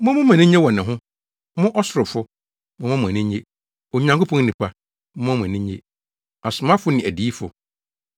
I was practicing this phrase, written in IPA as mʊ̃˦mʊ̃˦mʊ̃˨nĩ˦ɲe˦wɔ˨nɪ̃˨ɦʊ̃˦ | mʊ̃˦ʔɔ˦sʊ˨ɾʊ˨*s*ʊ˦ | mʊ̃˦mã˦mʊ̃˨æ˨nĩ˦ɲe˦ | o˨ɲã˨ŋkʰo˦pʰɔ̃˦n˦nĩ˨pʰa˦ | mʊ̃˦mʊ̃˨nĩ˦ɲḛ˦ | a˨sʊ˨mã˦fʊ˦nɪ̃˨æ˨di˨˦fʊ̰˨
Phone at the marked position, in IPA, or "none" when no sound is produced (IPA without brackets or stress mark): f